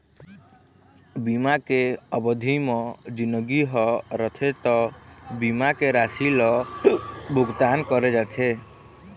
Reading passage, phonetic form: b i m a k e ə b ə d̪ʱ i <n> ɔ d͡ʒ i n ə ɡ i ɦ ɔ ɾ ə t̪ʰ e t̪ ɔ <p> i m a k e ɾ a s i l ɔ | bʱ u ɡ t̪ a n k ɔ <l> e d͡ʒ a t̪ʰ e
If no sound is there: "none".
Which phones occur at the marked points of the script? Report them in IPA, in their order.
m, b, ɾ

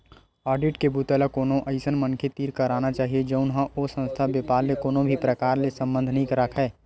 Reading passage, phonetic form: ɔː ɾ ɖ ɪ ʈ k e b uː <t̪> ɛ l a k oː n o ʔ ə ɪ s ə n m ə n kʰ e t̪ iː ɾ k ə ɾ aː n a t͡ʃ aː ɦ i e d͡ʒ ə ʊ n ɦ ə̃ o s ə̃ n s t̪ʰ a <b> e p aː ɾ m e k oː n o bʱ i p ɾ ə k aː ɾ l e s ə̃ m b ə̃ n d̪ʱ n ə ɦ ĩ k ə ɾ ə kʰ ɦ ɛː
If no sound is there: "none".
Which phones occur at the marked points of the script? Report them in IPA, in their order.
t̪, b

